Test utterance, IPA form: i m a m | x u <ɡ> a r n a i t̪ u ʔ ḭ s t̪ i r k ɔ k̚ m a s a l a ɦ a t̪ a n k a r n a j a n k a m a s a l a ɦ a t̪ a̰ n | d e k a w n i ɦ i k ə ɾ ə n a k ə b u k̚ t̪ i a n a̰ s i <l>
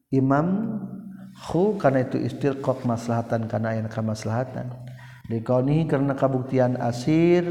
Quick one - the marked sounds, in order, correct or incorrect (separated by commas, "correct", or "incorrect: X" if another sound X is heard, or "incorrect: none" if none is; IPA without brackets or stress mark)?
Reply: incorrect: k, incorrect: r